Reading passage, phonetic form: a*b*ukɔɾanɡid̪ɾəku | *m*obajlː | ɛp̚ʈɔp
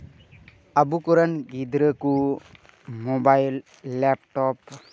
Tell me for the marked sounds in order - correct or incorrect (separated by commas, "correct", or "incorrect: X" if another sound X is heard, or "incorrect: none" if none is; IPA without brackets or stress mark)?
correct, correct